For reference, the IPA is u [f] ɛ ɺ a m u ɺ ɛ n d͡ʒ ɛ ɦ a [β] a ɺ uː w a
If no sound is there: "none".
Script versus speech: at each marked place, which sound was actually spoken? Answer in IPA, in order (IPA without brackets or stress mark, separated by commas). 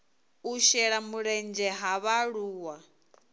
ʃ, β